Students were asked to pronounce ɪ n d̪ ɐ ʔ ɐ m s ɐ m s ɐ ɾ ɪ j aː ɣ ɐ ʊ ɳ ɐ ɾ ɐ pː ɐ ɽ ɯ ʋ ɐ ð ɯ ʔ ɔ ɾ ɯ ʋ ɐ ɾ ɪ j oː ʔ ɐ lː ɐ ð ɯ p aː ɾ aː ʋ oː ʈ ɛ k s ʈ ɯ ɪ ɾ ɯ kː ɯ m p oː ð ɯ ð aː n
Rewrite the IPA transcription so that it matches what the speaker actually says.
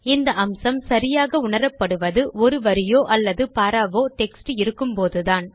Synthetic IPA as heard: ɪ n d̪ ɐ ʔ ɐ m s ɐ m s ɐ ɾ ɪ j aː ɣ ɐ ʊ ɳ ɐ ɾ ɐ pː ɐ ɽ ɯ ʋ ɐ ð ɯ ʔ ɔ ɾ ɯ ʋ ɐ ɾ ɪ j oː ʔ ɐ lː ɐ ð ɯ p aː ɾ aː ʋ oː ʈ ɛ k s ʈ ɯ ɪ ɾ ɯ kː ɯ m p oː ð ɯ ð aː n